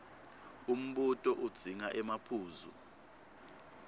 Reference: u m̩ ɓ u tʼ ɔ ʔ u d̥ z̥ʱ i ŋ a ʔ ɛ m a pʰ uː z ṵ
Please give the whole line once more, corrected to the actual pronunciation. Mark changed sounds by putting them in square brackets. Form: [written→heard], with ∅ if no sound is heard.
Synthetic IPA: u m̩ ɓ u tʼ ɔ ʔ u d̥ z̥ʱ i ŋ a ʔ ɛ m a pʰ uː z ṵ